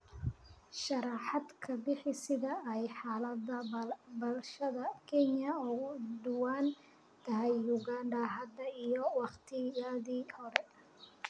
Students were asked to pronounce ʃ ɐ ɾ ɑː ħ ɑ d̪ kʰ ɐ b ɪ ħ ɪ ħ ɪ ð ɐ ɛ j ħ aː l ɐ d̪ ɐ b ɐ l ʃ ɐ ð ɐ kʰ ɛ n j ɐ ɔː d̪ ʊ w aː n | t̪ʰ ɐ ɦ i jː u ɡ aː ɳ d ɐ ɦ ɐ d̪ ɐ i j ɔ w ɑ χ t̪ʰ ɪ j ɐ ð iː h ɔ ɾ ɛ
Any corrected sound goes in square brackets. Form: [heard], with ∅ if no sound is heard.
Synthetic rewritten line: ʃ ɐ ɾ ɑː ħ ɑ d̪ kʰ ɐ b ɪ ħ ɪ [s] ɪ ð ɐ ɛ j ħ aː l ɐ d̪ ɐ b ɐ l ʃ ɐ ð ɐ kʰ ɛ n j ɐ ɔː d̪ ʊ w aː n | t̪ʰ ɐ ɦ [ɛ] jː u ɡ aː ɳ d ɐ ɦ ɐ d̪ ɐ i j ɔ w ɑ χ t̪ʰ ɪ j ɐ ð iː h ɔ ɾ ɛ

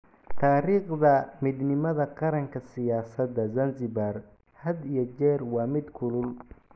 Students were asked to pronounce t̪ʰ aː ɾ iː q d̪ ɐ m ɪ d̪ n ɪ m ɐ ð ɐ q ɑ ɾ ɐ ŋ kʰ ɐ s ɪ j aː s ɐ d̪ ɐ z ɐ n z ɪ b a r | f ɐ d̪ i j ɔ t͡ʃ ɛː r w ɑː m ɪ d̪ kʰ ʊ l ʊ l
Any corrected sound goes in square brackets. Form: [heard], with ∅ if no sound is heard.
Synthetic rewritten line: t̪ʰ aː ɾ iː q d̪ ɐ m ɪ d̪ n ɪ m ɐ ð ɐ q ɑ ɾ ɐ ŋ kʰ ɐ s ɪ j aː s ɐ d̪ ɐ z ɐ n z ɪ b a r | [h] ɐ d̪ i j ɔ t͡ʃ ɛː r w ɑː m ɪ d̪ kʰ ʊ l ʊ l

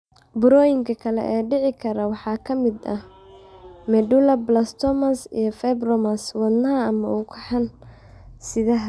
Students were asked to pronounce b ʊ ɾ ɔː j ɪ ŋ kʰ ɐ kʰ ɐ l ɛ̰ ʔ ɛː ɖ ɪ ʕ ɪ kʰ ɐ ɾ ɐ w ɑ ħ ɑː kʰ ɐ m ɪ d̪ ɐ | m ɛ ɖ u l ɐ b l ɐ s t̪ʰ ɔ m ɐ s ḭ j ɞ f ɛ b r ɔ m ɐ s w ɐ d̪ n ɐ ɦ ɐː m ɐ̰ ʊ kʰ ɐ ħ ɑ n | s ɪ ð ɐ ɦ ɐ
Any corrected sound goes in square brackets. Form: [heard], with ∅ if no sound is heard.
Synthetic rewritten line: b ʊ ɾ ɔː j ɪ ŋ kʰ ɐ kʰ ɐ l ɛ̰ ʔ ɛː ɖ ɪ ʕ ɪ kʰ ɐ ɾ ɐ w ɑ ħ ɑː kʰ ɐ m ɪ d̪ ɐ | m ɛ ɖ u l ɐ b l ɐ s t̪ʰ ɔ m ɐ s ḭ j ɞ f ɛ b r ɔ m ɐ s w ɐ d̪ n ɐ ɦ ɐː m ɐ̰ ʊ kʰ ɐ ħ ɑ n | s ɪ ð ɐ ɦ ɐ

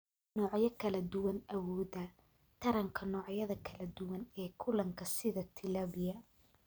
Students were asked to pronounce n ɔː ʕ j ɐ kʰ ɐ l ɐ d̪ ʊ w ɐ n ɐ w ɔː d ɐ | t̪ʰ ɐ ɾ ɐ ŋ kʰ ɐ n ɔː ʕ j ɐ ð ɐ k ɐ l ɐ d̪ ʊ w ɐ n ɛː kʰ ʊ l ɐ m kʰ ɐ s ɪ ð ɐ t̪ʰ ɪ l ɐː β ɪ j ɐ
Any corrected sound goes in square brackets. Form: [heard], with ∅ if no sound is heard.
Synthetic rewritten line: n ɔː ʕ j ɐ kʰ ɐ l ɐ d̪ ʊ w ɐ n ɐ w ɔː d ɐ | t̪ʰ ɐ ɾ ɐ ŋ kʰ ɐ n ɔː ʕ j ɐ ð ɐ [kʰ] ɐ l ɐ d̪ ʊ w ɐ n ɛː kʰ ʊ l ɐ [ŋ] kʰ ɐ s ɪ ð ɐ t̪ʰ ɪ l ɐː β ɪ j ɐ

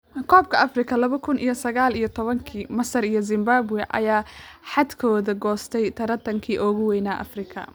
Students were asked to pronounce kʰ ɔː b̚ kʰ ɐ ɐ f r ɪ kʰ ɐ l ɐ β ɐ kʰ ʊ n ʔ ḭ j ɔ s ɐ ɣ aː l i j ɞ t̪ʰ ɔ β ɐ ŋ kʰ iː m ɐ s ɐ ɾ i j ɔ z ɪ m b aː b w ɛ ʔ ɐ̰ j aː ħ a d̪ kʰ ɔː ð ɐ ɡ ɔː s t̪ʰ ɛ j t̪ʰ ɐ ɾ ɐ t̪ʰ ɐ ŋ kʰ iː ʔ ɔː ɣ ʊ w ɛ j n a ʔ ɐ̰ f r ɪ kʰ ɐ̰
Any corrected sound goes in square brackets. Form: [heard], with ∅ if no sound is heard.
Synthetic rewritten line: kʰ ɔː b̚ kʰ ɐ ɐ f r ɪ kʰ ɐ l ɐ β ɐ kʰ ʊ n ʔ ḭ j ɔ s ɐ ɣ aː l i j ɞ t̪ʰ ɔ β ɐ ŋ kʰ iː m ɐ s ɐ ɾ i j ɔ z ɪ m b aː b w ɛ ʔ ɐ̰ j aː ħ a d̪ kʰ ɔː ð ɐ ɡ ɔː s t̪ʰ ɛ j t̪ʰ ɐ ɾ ɐ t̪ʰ ɐ ŋ kʰ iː ʔ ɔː ɣ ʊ w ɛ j n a ʔ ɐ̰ f r ɪ kʰ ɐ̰

